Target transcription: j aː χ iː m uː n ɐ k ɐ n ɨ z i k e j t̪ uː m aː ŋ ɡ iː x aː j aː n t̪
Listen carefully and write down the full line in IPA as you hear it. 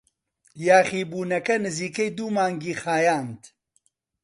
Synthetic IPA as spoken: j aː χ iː b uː n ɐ k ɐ n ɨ z iː k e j d̪ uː m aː ŋ ɡ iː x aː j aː n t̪